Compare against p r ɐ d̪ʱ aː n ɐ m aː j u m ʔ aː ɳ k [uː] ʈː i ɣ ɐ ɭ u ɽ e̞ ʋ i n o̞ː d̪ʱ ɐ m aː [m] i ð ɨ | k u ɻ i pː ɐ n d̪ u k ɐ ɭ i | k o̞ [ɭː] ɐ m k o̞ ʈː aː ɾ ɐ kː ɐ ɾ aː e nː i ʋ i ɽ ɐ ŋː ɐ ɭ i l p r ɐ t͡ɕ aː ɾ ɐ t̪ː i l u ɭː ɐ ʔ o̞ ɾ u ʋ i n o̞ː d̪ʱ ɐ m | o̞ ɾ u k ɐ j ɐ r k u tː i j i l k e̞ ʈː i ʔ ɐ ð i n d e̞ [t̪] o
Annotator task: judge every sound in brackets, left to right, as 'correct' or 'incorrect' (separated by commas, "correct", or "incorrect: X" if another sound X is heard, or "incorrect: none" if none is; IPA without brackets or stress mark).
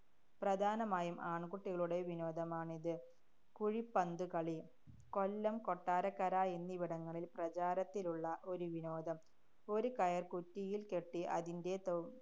incorrect: u, incorrect: ɳ, incorrect: lː, correct